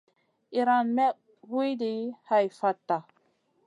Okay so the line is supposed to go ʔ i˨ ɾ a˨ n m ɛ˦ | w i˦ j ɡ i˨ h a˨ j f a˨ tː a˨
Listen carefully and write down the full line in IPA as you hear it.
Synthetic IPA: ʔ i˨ ɾ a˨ n m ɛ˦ | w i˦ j d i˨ h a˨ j f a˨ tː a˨